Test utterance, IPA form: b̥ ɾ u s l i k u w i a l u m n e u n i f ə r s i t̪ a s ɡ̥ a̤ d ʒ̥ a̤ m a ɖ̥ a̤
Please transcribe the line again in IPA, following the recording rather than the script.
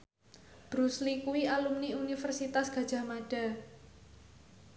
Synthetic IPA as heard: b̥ ɾ u s l i k u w i a l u m n i u n i f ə r s i t̪ a s ɡ̥ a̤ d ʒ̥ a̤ m a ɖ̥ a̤

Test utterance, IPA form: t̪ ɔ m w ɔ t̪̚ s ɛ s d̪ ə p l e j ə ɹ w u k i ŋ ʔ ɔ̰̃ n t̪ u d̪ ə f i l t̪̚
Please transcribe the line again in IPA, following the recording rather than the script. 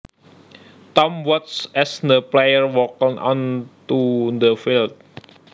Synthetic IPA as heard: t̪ ɔ m w ɔ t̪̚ s ɛ s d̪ ə p l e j ə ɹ w ɔ k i ŋ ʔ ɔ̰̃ n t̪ u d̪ ə f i l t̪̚

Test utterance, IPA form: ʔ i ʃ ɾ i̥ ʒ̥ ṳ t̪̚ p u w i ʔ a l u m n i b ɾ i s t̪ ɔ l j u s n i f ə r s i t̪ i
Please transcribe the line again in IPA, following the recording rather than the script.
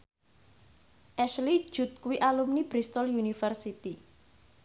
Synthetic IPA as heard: ʔ ɛ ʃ l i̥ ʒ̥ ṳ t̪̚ k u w i ʔ a l u m n i b ɾ i s t̪ ɔ l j u n i f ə r s i t̪ i

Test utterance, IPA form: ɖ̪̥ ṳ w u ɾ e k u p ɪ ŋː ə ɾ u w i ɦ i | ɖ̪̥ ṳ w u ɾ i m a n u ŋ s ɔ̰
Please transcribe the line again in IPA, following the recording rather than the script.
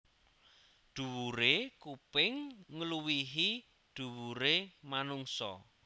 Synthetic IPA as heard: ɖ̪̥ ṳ w u ɾ e k u p ɪ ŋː ə l u w i ɦ i | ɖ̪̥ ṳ w u ɾ e m a n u ŋ s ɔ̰

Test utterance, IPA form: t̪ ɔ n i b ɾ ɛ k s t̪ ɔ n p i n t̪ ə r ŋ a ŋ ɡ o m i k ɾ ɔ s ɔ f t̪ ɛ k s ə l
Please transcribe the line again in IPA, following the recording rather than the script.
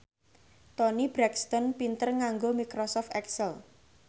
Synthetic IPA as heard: t̪ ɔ n i b ɾ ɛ k s t̪ ɔ n p i n t̪ ə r ŋ a ŋ ɡ o m i k ɾ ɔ s ɔ f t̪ ɛ k s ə l

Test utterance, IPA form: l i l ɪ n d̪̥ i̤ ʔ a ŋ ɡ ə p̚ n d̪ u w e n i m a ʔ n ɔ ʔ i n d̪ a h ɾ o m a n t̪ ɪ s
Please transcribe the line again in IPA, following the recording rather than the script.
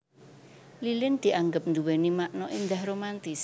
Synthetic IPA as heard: l i l ɪ n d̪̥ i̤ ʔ a ŋ ɡ ə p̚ n d̪ u w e n i m a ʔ n ɔ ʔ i n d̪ a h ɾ o m a n t̪ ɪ s

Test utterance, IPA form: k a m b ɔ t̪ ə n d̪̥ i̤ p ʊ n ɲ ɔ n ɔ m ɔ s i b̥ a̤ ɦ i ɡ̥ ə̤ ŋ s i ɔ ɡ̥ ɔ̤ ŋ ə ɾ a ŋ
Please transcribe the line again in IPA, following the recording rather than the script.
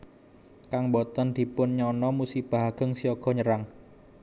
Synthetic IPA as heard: k a ŋ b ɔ t̪ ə n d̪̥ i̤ p ʊ n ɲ ɔ n ɔ m u s i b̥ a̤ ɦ a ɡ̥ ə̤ ŋ s i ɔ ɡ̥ ɔ̤ ɲ ə ɾ a ŋ

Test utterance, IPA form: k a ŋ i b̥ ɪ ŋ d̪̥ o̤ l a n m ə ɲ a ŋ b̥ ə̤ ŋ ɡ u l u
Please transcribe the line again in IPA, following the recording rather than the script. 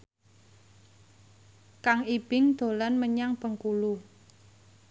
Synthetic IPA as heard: k a ŋ i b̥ ɪ ŋ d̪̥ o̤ l a n m ə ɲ a ŋ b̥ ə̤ ŋ k u l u

